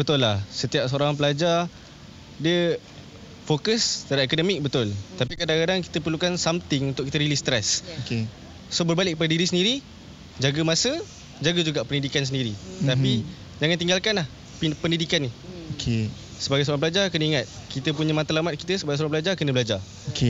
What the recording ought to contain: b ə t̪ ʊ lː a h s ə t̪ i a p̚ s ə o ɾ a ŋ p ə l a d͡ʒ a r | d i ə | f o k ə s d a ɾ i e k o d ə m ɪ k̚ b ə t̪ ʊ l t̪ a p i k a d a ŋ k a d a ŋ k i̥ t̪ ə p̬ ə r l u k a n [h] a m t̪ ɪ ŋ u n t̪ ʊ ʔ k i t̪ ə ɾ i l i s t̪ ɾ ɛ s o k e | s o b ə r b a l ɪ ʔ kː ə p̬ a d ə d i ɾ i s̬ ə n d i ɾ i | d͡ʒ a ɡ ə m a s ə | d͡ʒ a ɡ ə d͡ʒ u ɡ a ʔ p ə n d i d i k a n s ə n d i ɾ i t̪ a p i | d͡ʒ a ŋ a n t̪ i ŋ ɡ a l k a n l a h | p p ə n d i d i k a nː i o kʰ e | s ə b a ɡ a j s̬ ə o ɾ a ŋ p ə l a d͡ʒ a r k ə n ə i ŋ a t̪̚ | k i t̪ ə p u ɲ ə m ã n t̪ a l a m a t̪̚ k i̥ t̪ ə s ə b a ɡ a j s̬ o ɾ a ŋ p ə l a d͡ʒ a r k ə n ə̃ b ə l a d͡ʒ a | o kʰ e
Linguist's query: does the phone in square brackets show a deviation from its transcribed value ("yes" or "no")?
yes